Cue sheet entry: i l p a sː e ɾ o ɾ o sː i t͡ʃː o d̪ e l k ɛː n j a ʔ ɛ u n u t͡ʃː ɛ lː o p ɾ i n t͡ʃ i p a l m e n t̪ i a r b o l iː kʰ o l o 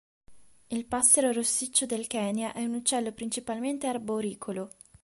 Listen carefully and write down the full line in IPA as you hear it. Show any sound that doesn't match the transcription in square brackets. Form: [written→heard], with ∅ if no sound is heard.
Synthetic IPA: i l p a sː e ɾ o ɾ o sː i t͡ʃː o d̪ e l k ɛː n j a ʔ ɛ u n u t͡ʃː ɛ lː o p ɾ i n t͡ʃ i p a l m e n t̪ [i→e] a r b o [l→ɾ] iː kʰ o l o